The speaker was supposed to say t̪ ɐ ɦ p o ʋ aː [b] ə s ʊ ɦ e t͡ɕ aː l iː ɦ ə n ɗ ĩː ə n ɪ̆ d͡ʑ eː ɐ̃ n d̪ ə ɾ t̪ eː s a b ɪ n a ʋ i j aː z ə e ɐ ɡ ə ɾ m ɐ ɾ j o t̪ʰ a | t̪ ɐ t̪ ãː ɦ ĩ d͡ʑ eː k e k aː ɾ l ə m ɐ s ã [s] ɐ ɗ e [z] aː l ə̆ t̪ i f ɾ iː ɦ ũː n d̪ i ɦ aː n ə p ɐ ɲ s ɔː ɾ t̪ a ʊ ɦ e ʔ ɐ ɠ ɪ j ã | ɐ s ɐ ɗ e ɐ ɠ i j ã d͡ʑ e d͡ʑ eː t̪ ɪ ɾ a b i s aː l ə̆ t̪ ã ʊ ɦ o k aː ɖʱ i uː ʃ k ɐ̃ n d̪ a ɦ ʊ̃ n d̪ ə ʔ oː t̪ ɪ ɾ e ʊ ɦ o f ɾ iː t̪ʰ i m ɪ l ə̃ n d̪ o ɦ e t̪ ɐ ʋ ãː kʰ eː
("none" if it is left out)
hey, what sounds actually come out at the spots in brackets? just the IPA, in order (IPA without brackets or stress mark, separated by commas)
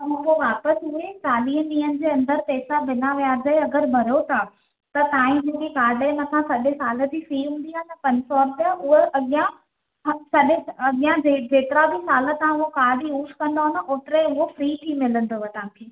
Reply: p, s, s